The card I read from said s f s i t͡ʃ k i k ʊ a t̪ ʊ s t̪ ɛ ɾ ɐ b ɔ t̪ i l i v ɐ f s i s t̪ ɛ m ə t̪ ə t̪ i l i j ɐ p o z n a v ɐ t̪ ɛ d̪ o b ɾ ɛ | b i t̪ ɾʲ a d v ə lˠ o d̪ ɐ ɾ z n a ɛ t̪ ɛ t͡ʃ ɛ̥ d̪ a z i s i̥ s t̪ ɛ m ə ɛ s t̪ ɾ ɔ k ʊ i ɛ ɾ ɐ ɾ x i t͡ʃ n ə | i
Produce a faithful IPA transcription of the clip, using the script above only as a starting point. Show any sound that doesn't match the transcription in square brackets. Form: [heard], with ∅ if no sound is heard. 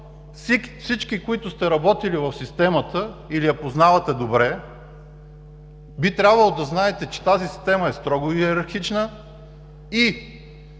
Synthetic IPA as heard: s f s i t͡ʃ k i k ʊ [i] t̪ ʊ s t̪ ɛ ɾ ɐ b ɔ t̪ i l i v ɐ f s i s t̪ ɛ m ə t̪ ə [∅] i l i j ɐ p o z n a v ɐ t̪ ɛ d̪ o b ɾ ɛ | b i t̪ ɾʲ a [b] v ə lˠ o d̪ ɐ [∅] z n a ɛ t̪ ɛ t͡ʃ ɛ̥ [t̪] a z i s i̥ s t̪ ɛ m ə ɛ s t̪ ɾ ɔ [ɡ] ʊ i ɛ ɾ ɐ ɾ x i t͡ʃ n ə | i

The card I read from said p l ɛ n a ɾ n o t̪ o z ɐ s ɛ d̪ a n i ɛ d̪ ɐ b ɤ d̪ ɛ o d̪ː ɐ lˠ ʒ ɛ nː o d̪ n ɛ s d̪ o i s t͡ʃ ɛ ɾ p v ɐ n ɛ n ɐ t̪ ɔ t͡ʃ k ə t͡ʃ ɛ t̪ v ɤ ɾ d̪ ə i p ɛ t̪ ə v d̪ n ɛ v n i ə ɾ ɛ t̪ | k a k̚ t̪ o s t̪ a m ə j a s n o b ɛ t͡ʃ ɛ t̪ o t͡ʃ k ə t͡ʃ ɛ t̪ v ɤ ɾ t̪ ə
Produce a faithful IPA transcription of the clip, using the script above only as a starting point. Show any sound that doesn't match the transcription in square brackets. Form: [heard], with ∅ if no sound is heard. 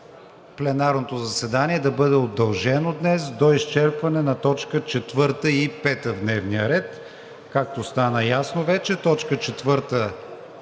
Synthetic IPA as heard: p l ɛ n a ɾ n o t̪ o z ɐ s ɛ d̪ a n i ɛ d̪ ɐ b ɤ d̪ ɛ o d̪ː ɐ lˠ ʒ ɛ [n] o d̪ n ɛ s d̪ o i s t͡ʃ ɛ ɾ p v ɐ n ɛ n ɐ t̪ ɔ t͡ʃ k ə t͡ʃ ɛ t̪ v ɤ ɾ [t̪] ə i p ɛ t̪ ə v d̪ n ɛ v n i ə ɾ ɛ t̪ | k a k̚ t̪ o s t̪ a [n] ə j a s n o [v] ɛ t͡ʃ ɛ t̪ [ɔ] t͡ʃ k ə t͡ʃ ɛ t̪ v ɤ ɾ t̪ ə

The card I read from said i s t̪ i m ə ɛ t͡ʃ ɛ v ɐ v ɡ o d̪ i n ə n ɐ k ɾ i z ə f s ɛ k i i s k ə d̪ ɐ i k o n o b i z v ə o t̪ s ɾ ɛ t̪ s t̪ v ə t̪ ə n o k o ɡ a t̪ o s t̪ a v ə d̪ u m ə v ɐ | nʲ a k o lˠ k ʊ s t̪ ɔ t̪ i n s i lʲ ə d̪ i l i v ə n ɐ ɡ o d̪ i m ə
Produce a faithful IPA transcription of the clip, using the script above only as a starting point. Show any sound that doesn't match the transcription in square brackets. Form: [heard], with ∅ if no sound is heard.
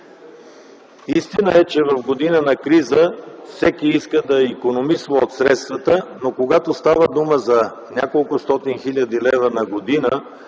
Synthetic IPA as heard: i s t̪ i [n] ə ɛ t͡ʃ ɛ v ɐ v ɡ o d̪ i n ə n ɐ k ɾ i z ə f s ɛ k i i s k ə d̪ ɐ i k o n o [m] i [s] v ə o t̪ s ɾ ɛ t̪ s t̪ v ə t̪ ə n o k o ɡ a t̪ o s t̪ a v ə d̪ u m ə [z] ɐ | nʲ a k o lˠ k ʊ s t̪ ɔ t̪ i n [x] i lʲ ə d̪ i l [ɛ] v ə n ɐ ɡ o d̪ i [n] ə

